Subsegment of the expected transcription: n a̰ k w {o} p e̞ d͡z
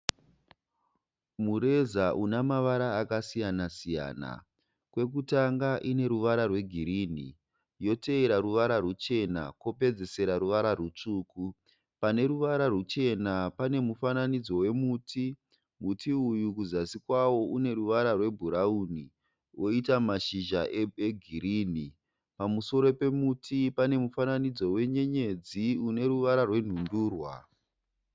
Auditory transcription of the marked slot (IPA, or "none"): o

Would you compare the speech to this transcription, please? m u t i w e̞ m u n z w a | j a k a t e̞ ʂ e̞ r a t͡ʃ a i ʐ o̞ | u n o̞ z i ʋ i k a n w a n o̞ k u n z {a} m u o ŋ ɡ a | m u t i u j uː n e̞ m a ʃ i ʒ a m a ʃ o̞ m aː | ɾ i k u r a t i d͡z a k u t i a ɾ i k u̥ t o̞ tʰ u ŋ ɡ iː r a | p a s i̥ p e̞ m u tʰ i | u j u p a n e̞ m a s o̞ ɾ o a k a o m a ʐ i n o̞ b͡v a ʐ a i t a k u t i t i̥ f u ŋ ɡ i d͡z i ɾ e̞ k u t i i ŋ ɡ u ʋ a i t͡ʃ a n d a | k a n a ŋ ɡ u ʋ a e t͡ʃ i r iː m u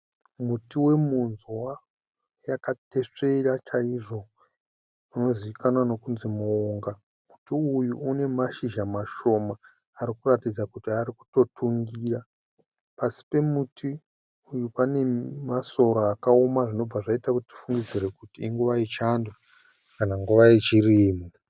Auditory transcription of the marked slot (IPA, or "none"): i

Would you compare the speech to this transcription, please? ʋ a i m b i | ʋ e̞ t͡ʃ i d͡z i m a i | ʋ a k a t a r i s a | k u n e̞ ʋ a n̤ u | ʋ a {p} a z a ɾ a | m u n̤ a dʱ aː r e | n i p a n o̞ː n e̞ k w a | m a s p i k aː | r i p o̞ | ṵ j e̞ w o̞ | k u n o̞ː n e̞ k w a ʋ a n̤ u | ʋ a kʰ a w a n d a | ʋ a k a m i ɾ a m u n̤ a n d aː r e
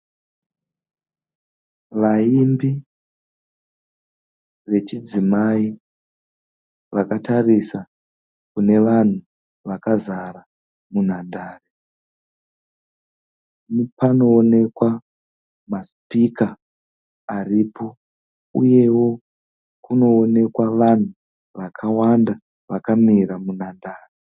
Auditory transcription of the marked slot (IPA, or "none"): k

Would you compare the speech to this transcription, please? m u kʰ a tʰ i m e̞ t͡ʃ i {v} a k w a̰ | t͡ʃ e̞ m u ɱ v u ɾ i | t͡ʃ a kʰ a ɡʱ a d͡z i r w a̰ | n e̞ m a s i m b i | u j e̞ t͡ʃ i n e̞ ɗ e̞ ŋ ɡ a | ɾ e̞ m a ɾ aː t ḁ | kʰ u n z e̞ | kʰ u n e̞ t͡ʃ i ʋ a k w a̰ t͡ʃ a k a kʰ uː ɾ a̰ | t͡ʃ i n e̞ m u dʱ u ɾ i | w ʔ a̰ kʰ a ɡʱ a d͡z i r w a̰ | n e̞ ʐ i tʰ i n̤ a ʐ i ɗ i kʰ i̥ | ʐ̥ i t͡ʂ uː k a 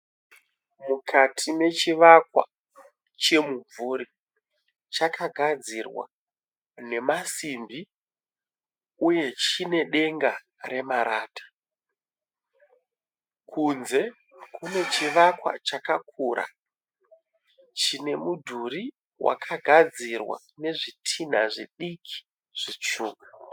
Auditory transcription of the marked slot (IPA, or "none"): ʋ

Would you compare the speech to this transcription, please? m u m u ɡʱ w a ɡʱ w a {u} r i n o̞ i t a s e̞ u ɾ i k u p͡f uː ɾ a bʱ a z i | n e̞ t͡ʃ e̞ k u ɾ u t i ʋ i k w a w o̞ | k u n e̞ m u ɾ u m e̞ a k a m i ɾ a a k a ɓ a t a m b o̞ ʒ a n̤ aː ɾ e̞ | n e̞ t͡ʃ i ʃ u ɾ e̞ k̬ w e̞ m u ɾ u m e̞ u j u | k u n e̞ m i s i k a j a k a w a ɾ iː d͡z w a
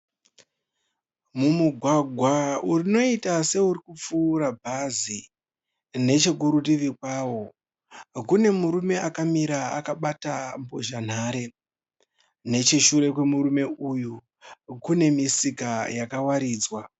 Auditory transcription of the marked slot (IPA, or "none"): u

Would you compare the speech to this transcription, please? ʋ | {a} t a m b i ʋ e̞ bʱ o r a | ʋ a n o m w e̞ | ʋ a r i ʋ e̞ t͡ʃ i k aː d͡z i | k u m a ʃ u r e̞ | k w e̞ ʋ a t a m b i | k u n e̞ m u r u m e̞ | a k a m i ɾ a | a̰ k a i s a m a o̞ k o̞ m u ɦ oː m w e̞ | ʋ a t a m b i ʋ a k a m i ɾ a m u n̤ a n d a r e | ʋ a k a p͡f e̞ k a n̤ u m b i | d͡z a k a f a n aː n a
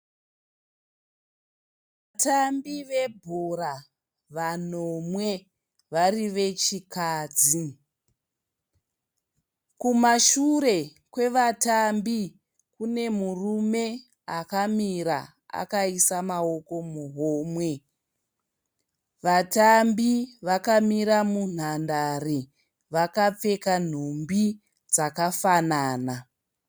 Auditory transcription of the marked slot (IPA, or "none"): a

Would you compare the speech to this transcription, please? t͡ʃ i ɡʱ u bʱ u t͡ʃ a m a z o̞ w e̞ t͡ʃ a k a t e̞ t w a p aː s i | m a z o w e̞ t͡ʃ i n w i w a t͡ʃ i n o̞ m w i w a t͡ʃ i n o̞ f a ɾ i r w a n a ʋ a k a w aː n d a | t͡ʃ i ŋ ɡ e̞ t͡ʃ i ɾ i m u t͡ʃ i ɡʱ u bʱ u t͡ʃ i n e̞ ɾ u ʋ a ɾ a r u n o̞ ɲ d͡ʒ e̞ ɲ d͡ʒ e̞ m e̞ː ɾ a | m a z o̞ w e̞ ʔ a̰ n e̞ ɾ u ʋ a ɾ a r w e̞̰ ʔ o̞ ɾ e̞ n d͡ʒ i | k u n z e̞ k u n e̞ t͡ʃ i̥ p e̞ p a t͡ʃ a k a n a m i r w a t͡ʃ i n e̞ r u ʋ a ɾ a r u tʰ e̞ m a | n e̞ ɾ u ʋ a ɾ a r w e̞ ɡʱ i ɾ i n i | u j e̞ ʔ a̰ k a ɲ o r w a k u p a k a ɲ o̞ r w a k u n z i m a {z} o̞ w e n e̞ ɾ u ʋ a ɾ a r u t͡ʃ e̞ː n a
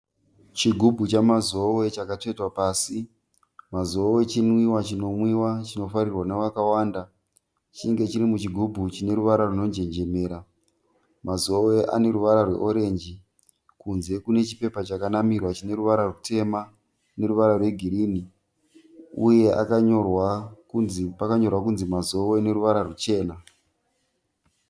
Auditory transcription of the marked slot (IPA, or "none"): z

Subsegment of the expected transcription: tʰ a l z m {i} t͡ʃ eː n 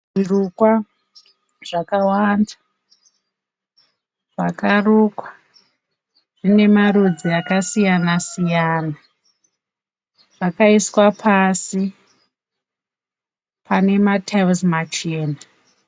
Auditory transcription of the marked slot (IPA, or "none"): a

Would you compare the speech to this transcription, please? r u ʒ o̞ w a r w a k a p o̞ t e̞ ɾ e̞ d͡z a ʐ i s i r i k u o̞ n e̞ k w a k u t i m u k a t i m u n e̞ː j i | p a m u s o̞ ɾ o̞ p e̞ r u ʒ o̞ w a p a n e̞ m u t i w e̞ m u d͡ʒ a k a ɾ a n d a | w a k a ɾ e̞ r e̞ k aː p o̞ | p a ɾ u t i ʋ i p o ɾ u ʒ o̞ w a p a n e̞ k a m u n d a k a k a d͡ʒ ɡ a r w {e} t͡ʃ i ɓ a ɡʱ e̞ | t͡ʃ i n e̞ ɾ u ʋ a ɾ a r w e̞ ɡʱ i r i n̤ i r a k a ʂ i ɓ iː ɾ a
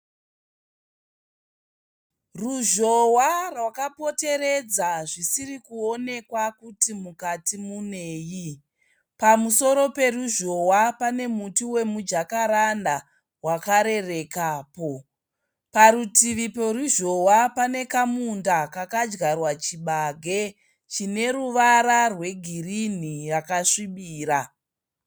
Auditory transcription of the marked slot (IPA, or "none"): a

